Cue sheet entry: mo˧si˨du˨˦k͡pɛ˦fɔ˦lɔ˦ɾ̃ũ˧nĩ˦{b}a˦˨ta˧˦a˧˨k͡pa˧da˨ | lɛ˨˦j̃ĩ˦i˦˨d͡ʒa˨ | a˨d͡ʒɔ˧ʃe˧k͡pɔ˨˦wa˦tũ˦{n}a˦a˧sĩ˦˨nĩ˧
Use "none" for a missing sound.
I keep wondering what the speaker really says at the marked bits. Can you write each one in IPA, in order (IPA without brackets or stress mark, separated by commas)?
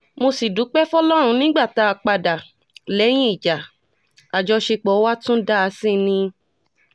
ɡ͡b, d